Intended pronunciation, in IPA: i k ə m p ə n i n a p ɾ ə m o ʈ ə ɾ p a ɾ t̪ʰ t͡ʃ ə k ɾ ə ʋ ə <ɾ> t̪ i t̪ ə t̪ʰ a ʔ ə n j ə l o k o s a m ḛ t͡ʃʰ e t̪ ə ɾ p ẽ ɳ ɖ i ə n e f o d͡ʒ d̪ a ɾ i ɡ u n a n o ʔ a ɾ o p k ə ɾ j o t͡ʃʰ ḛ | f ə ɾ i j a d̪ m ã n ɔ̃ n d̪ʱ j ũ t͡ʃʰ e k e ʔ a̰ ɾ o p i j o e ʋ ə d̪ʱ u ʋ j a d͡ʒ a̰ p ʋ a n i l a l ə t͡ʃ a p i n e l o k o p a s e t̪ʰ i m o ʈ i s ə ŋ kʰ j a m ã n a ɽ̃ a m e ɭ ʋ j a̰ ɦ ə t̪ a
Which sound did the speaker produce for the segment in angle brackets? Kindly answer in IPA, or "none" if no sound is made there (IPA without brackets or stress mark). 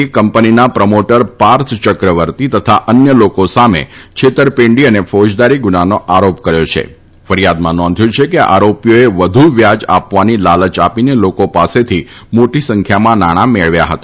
ɾ